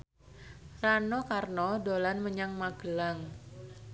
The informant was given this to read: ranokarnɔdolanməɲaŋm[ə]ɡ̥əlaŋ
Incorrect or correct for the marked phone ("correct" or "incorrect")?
incorrect